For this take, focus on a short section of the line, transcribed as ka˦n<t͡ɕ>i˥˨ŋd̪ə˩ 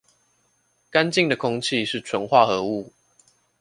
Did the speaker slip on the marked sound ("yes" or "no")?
no